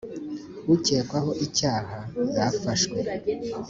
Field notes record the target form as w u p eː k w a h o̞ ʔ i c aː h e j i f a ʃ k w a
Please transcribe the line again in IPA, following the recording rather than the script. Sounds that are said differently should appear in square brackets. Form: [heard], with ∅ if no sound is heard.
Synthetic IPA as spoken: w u [c] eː k w a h o̞ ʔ i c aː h [a] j [a] f a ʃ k w [e]